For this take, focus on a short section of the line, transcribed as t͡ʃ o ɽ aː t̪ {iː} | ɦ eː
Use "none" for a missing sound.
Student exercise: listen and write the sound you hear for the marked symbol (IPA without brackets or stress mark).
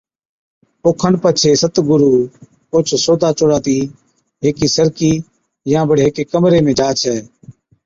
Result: iː